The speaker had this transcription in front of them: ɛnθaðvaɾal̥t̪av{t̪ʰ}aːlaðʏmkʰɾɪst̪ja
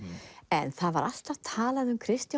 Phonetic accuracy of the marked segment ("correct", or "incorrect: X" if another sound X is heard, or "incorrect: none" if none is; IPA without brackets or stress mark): correct